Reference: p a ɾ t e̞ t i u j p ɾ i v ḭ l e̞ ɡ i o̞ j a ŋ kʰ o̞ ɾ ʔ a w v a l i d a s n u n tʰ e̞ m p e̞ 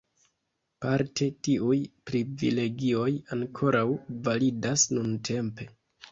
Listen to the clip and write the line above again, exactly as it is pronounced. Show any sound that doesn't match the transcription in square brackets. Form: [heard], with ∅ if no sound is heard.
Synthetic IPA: p a ɾ t e̞ t i u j p ɾ i v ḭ l e̞ ɡ i o̞ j a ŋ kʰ o̞ ɾ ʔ a w v a l i d a s n u n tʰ e̞ m p e̞

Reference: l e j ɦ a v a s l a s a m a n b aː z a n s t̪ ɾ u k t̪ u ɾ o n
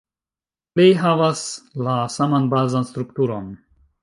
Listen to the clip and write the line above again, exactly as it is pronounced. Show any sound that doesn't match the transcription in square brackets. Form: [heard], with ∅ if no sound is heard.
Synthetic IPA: l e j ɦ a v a s l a s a m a n b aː z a n s t̪ ɾ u k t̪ u ɾ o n

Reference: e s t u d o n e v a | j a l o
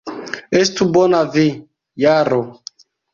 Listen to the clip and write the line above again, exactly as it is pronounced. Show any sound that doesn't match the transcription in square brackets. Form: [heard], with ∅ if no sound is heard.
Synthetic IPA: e s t u [b] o n [a] v [i] | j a [ɾ] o

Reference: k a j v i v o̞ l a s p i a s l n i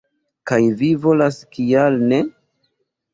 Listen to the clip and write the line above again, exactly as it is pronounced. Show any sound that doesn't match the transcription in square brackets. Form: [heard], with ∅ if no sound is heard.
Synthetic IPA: k a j v i v o̞ l a s [k] i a [∅] l n [e]

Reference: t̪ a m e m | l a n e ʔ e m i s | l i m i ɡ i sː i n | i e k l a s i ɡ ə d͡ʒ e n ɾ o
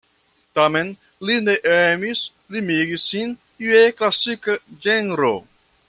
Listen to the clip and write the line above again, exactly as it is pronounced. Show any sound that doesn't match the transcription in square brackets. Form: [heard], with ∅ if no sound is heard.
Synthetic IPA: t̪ a m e [n] | l [i] n e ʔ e m i s | l i m i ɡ i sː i n | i e k l a s i [k] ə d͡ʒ e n ɾ o

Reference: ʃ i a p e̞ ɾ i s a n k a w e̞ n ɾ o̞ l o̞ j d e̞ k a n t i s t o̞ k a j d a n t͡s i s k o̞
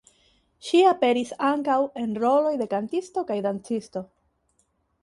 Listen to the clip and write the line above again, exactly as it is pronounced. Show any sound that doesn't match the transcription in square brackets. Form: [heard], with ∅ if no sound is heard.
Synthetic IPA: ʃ i a p e̞ ɾ i s a [ŋ] k a w e̞ n ɾ o̞ l o̞ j d e̞ k a n t i s t o̞ k a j d a n t͡s i s [t] o̞

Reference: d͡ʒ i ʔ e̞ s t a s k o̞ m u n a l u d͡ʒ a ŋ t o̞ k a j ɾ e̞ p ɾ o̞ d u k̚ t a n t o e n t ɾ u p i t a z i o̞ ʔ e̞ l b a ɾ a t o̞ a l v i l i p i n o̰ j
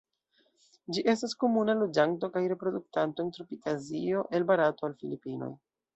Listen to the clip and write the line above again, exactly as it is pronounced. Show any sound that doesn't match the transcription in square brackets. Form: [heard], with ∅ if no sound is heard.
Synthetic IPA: d͡ʒ i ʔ e̞ s t a s k o̞ m u n a l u d͡ʒ a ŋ t o̞ k a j ɾ e̞ p ɾ o̞ d u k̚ t a n t o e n t ɾ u p i t a z i o̞ ʔ e̞ l b a ɾ a t o̞ a l [f] i l i p i n o̰ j

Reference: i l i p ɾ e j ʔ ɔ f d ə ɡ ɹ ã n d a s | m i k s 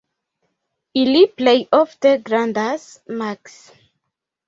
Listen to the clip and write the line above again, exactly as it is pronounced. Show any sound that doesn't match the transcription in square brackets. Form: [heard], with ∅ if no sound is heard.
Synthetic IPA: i l i p [l] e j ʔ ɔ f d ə ɡ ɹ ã n d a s | m [a] k s

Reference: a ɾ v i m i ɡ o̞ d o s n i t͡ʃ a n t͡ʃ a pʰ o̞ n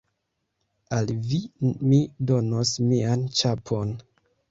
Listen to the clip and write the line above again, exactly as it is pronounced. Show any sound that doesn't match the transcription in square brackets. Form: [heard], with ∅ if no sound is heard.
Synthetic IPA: a [l] v i m i [d] o̞ [n] o s [m] i [∅] a n t͡ʃ a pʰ o̞ n

